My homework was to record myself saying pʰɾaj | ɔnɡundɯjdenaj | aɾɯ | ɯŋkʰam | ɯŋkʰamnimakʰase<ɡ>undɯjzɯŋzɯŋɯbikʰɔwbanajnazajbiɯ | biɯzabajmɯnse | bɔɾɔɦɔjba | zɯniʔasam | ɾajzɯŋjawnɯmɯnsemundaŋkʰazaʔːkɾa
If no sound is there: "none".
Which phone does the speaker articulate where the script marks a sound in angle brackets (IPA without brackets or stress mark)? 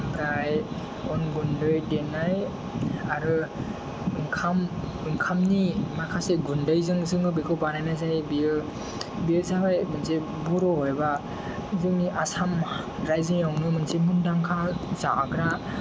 ɡ